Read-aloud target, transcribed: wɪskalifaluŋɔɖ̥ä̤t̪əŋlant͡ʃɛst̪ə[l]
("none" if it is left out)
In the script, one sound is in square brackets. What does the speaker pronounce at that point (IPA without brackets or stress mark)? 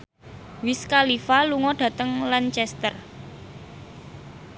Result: r